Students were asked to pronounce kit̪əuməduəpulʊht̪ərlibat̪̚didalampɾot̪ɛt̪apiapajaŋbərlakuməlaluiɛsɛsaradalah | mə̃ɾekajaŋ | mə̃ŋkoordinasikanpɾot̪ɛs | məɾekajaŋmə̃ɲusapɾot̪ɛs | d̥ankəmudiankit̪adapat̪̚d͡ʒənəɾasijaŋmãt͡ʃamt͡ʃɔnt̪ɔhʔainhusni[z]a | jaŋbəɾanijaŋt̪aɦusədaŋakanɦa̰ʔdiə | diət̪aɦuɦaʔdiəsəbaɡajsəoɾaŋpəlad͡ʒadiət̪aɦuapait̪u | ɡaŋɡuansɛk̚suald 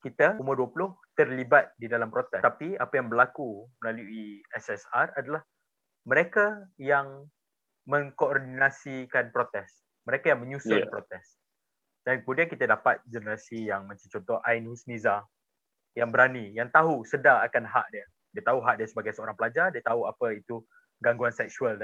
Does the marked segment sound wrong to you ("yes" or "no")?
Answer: no